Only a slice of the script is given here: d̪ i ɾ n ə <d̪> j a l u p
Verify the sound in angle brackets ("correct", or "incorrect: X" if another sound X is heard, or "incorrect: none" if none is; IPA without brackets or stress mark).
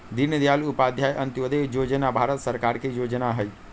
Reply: correct